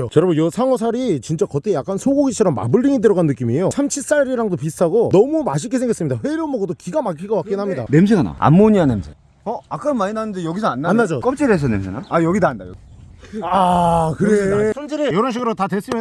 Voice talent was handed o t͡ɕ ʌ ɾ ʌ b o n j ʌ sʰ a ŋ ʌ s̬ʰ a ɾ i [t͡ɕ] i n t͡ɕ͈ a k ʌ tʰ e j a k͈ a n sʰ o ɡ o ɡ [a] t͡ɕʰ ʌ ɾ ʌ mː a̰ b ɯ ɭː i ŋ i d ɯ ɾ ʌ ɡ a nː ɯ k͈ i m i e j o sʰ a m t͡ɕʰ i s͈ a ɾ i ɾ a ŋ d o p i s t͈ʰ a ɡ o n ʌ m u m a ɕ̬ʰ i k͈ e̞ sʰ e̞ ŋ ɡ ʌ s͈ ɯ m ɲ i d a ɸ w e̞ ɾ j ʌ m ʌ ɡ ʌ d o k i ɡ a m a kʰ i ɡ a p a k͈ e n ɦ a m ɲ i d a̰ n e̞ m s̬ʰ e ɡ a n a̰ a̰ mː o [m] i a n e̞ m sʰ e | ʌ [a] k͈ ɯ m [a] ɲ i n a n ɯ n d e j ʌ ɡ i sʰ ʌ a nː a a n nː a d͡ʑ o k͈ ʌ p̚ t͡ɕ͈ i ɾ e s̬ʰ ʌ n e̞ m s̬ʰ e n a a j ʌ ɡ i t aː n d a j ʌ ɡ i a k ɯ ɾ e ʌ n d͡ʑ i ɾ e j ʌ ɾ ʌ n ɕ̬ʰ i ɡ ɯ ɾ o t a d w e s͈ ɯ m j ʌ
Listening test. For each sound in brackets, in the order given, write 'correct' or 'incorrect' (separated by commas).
correct, incorrect, incorrect, correct, correct